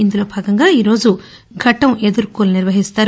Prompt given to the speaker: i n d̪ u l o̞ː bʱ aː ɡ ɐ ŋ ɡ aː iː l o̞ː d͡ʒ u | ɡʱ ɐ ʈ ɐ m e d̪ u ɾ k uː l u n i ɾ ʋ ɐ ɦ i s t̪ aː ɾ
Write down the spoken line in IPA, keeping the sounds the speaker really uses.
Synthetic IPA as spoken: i n d̪ u l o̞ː bʱ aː ɡ ɐ ŋ ɡ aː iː ɾ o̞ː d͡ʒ u | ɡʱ ɐ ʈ ɐ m e d̪ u ɾ k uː l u n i ɾ ʋ ɐ ɦ i s t̪ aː ɾ